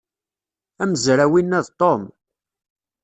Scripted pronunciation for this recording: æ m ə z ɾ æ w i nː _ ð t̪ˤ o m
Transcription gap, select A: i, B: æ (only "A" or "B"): B